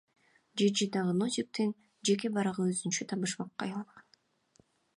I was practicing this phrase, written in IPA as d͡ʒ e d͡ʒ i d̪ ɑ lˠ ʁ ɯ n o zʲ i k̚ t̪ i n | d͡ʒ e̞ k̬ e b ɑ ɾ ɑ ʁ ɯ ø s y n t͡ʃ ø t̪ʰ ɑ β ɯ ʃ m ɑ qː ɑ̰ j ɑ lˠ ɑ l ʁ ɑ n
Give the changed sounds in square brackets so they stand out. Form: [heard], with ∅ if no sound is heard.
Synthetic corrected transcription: d͡ʒ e d͡ʒ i d̪ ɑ [∅] ʁ ɯ n o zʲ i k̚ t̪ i n | d͡ʒ e̞ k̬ e b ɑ ɾ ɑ ʁ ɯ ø [z] y n t͡ʃ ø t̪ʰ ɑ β ɯ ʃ m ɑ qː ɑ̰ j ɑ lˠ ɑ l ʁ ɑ n

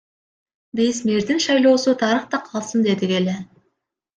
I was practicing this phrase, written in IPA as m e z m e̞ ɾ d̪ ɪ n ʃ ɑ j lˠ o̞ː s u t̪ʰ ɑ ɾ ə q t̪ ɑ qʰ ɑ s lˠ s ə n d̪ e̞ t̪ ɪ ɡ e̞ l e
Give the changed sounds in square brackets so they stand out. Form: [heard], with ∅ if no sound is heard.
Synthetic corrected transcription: [b] e [s] m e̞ ɾ d̪ ɪ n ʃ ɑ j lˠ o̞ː s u t̪ʰ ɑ ɾ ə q t̪ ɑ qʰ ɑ [∅] lˠ s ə n d̪ e̞ [d̪] ɪ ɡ e̞ l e

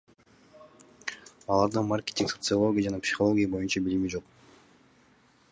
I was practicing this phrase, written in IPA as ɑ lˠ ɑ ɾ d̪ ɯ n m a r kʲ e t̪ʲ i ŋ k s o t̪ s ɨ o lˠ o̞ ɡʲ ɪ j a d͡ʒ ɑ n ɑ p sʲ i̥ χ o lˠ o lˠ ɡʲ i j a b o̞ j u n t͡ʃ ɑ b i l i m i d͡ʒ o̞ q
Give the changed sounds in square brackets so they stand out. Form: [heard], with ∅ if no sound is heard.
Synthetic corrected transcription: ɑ lˠ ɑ ɾ d̪ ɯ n m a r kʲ e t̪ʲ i ŋ k s o t̪ s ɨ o lˠ o̞ ɡʲ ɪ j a d͡ʒ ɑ n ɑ p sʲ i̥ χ o lˠ o [∅] ɡʲ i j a b o̞ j u n t͡ʃ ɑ b i l i m i d͡ʒ o̞ q

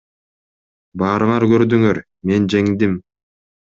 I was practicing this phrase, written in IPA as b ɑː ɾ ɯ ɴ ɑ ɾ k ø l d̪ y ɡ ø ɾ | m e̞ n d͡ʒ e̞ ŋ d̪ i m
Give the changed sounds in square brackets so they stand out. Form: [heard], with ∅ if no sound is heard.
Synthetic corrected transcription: b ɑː ɾ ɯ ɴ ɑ ɾ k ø [ɾ] d̪ y [ŋ] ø ɾ | m e̞ n d͡ʒ e̞ ŋ d̪ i m

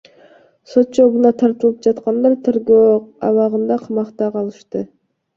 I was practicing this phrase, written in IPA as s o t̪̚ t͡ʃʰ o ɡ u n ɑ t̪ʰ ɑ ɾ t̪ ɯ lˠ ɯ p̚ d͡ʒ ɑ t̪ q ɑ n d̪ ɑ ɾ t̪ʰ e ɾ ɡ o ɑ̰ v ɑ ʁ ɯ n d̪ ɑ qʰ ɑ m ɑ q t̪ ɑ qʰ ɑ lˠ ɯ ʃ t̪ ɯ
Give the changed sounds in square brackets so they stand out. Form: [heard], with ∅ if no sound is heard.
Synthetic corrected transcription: s o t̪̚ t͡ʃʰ o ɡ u n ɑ t̪ʰ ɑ ɾ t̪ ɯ lˠ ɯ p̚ d͡ʒ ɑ t̪ q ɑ n d̪ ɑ ɾ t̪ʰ e ɾ ɡ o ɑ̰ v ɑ ʁ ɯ n d̪ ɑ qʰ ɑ m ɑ q t̪ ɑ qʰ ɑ lˠ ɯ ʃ t̪ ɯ

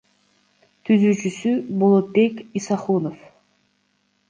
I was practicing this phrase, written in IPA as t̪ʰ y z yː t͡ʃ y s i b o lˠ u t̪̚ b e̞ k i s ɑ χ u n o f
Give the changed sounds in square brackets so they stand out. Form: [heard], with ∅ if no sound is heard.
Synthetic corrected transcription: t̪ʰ y z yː t͡ʃ y s [y] b o lˠ [o] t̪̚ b e̞ k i s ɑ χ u n o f

